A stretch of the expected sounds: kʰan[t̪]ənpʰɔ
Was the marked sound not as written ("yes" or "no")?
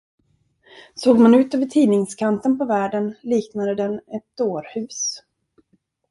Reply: no